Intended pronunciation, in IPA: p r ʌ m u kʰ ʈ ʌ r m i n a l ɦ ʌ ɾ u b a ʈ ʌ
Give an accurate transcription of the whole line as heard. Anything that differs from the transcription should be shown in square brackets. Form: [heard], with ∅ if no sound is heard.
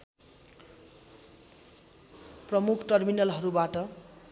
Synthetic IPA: p r ʌ m u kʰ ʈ ʌ r m i n [ʌ] l ɦ ʌ ɾ u b a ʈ ʌ